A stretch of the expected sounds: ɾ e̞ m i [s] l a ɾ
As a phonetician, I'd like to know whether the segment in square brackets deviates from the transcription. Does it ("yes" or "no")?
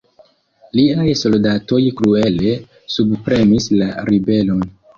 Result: no